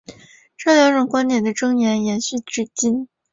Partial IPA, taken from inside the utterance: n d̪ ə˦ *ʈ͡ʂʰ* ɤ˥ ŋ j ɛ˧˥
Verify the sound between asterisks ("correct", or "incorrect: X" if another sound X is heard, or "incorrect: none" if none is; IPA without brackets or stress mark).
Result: incorrect: ʈ͡ʂ